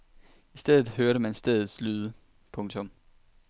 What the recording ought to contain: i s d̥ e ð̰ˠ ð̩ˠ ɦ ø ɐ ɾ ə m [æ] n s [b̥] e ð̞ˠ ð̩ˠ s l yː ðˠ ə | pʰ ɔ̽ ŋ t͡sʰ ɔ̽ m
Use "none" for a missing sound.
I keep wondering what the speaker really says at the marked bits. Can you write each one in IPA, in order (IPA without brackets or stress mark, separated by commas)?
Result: æ, d̥